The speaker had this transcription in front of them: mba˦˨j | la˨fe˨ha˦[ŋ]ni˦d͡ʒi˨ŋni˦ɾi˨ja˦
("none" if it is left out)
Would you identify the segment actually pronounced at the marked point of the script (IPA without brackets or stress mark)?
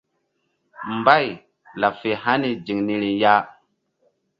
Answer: none